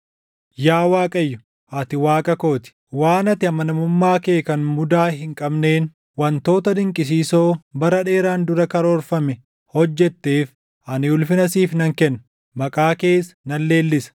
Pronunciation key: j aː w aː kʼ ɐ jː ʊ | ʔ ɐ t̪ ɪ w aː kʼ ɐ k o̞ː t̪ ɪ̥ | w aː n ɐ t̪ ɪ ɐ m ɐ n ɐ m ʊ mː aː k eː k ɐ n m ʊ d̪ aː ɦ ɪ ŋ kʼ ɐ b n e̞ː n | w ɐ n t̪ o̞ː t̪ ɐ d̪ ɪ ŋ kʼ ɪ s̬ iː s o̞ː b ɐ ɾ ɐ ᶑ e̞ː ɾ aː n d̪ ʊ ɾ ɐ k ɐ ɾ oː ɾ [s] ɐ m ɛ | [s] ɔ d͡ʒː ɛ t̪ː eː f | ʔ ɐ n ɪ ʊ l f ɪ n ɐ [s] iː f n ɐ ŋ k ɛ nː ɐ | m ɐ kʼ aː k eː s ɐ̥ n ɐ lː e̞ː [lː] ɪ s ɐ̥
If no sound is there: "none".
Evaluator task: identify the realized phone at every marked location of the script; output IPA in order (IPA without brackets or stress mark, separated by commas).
f, h, s, lː